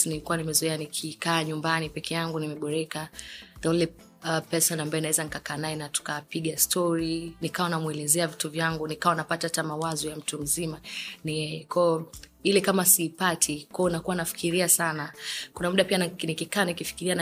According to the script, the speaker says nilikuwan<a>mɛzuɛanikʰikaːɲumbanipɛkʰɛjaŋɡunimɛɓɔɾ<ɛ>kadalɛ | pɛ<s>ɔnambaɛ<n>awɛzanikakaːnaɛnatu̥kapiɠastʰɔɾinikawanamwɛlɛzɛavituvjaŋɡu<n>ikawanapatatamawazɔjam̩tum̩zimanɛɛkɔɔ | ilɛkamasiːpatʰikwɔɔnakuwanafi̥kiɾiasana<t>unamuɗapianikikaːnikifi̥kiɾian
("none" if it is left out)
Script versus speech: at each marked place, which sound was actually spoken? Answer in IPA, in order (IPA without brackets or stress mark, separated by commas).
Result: i, ɛ, s, n, n, k